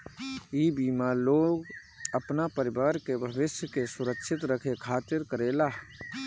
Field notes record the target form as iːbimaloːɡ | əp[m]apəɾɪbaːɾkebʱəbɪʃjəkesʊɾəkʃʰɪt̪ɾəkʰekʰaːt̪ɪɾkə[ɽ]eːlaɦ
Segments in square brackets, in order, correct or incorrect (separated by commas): incorrect, incorrect